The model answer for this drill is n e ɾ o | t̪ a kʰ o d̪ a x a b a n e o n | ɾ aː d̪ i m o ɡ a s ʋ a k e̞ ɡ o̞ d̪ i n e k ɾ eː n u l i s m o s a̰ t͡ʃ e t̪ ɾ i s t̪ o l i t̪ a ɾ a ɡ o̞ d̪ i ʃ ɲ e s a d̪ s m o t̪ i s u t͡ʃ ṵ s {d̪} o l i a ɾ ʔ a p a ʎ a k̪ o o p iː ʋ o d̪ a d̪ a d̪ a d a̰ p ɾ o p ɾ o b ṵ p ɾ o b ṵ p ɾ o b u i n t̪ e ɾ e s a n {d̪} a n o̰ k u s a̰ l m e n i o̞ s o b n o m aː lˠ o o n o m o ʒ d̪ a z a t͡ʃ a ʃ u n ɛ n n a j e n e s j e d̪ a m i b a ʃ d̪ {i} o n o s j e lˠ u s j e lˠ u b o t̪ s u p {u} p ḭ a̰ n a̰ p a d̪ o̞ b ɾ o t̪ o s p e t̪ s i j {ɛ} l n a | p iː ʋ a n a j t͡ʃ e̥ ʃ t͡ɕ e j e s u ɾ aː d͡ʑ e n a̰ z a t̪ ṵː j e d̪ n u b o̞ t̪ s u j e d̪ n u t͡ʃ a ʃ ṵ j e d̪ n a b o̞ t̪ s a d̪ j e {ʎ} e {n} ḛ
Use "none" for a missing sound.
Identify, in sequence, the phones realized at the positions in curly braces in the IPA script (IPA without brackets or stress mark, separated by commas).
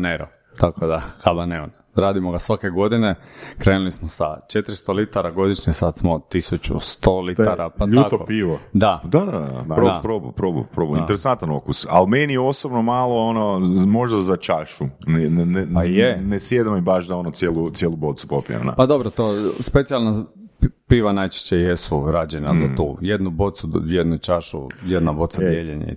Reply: t̪, t̪, a, o, a, ʎ, ɲ